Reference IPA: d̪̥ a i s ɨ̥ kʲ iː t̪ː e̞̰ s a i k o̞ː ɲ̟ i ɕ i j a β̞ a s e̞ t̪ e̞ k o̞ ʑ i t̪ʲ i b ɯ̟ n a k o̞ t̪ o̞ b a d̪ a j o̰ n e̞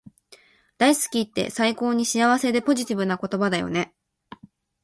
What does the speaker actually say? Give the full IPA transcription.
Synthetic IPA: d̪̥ a i s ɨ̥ kʲ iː t̪ː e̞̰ s a i k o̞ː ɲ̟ i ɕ i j a β̞ a s e̞ d̪ e̞ p o̞ ʑ i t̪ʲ i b ɯ̟ n a k o̞ t̪ o̞ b a d̪ a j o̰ n e̞